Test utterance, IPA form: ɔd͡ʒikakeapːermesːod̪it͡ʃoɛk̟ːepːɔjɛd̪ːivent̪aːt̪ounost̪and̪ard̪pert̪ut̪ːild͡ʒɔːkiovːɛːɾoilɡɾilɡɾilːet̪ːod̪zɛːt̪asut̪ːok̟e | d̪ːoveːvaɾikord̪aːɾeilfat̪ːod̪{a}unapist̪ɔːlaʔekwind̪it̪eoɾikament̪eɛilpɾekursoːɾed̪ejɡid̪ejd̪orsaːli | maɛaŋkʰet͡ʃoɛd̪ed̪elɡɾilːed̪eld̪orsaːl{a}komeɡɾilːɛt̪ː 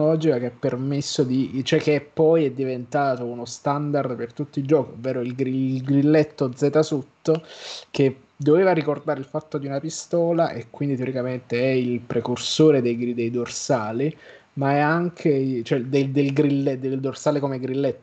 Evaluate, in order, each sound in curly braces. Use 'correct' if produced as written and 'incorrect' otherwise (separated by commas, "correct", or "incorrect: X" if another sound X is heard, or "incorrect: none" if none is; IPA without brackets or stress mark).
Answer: incorrect: i, incorrect: e